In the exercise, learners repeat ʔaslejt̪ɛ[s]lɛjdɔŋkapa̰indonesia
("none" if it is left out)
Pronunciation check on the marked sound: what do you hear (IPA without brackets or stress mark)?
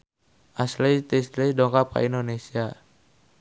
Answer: s